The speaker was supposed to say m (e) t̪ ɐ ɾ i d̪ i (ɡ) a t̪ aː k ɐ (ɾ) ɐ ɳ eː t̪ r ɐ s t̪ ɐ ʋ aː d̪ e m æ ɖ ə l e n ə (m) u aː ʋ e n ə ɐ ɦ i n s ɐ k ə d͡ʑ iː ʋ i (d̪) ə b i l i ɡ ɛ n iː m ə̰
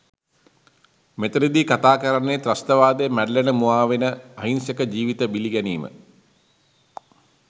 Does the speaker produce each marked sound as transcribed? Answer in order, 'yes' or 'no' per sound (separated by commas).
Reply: yes, no, yes, yes, no